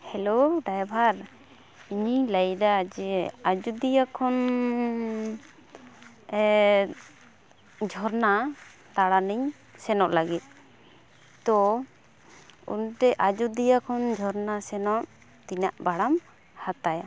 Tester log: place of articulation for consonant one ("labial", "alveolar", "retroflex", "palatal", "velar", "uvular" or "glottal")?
glottal